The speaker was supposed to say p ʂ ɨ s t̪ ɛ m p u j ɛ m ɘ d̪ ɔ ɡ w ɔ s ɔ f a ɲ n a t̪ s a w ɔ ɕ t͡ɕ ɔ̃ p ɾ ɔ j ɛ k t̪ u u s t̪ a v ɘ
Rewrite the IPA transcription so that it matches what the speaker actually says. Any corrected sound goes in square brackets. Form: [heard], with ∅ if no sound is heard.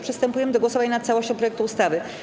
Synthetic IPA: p ʂ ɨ s t̪ ɛ m p u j ɛ m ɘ d̪ ɔ ɡ w ɔ s ɔ [v] a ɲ n a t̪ s a w ɔ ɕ t͡ɕ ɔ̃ p ɾ ɔ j ɛ k t̪ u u s t̪ a v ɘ